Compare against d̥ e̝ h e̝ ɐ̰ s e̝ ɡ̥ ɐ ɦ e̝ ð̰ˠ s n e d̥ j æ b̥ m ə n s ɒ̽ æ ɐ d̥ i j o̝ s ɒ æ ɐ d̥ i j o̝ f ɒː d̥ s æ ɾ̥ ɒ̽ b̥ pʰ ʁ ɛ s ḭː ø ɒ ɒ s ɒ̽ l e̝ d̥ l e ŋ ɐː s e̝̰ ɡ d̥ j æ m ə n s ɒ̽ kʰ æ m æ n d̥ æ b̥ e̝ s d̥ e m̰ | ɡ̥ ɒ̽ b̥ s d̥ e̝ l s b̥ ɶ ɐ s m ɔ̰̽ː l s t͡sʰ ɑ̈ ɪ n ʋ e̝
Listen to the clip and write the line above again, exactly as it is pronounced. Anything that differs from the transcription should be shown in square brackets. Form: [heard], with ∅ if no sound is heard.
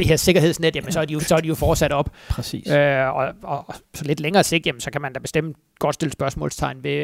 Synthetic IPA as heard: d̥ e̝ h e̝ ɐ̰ s e̝ ɡ̥ ɐ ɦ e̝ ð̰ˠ s n e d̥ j æ [∅] m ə n s ɒ̽ æ ɐ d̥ i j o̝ s ɒ æ ɐ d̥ i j o̝ f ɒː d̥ s æ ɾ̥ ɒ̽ b̥ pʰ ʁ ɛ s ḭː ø ɒ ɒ s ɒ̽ l e̝ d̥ l e ŋ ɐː s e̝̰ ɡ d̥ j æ m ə n s ɒ̽ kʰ æ m æ n d̥ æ b̥ e̝ s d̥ e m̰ | ɡ̥ ɒ̽ [d̥] s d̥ e̝ l s b̥ ɶ ɐ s m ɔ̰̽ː l s t͡sʰ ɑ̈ ɪ n ʋ e̝